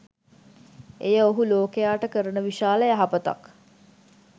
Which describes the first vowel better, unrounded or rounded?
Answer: unrounded